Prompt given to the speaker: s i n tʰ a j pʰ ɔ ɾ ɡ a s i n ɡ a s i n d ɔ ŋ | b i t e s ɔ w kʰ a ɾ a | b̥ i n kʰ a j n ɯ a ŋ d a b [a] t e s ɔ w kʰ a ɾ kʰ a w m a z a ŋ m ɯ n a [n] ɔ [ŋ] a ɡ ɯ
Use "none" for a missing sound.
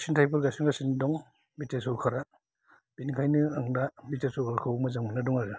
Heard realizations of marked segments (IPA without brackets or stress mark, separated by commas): i, d, ŋ